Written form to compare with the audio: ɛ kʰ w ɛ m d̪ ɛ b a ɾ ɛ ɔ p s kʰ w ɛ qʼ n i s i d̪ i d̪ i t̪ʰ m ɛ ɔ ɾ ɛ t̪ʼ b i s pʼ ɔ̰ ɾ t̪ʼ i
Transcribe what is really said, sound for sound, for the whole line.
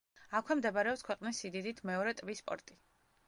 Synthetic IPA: a kʰ w ɛ m d̪ ɛ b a ɾ ɛ ɔ p s kʰ w ɛ qʼ n i s i d̪ i d̪ i t̪ʰ m ɛ ɔ ɾ ɛ t̪ʼ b i s pʼ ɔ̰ ɾ t̪ʼ i